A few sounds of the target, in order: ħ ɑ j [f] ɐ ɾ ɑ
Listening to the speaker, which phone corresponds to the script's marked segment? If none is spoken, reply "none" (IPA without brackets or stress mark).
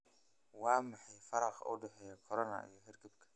f